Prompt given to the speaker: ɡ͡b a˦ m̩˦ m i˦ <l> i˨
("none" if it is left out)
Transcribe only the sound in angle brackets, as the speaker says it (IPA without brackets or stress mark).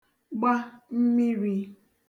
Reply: ɾ